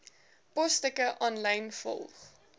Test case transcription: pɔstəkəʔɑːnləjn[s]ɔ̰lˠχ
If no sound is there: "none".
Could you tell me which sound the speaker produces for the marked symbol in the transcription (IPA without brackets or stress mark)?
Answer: f